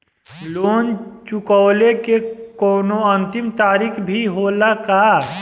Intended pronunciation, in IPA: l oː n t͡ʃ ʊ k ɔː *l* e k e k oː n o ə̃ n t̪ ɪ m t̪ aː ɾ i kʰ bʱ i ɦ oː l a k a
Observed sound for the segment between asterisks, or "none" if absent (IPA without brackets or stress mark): l